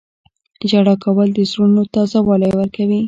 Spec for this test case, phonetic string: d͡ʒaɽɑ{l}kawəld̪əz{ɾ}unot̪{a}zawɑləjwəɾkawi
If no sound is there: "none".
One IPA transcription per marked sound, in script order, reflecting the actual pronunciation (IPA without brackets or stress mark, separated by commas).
none, ɾ, ɑ